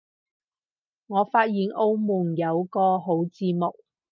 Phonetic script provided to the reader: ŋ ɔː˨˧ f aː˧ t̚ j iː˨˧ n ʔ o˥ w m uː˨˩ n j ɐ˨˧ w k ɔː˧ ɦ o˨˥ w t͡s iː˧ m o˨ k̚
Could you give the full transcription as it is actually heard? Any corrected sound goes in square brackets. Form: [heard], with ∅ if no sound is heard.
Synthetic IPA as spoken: ŋ ɔː˨˧ f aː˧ t̚ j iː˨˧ n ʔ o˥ w m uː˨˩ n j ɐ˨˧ w k ɔː˧ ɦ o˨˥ w t͡s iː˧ m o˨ k̚